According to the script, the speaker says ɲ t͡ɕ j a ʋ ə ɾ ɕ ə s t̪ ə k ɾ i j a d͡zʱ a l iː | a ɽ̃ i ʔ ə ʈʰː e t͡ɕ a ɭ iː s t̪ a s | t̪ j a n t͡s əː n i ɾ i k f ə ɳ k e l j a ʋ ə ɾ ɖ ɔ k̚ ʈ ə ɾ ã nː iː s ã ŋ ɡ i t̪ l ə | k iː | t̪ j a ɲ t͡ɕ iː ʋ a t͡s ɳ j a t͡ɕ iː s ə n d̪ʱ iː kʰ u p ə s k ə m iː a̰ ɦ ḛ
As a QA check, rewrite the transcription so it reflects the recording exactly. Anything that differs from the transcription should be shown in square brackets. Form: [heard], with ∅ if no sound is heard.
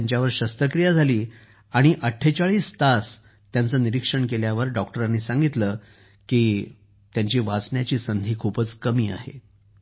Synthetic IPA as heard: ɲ t͡ɕ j a ʋ ə ɾ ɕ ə s t̪ ə k ɾ i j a d͡zʱ a l iː | a ɽ̃ i ʔ ə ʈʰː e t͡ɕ a ɭ iː s t̪ a s | t̪ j a n t͡s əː n i ɾ i k [ʂ] ə ɳ k e l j a ʋ ə ɾ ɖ ɔ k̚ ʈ ə ɾ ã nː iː s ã ŋ ɡ i t̪ l ə | k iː | t̪ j a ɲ t͡ɕ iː ʋ a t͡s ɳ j a t͡ɕ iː s ə n d̪ʱ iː kʰ u p ə [t͡s] k ə m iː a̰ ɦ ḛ